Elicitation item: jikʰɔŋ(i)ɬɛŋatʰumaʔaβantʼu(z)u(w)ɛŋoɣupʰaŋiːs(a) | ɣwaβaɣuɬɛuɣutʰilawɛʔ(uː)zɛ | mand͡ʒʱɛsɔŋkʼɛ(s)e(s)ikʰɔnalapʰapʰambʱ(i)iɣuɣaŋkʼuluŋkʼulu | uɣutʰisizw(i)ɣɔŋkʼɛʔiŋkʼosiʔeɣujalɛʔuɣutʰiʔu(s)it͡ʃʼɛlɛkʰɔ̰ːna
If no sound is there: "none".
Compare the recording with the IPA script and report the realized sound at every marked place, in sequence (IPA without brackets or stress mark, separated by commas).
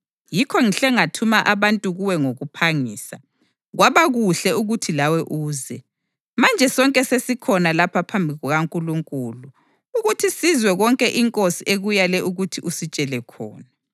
i, ɣ, w, a, uː, s, s, i, ɛ, s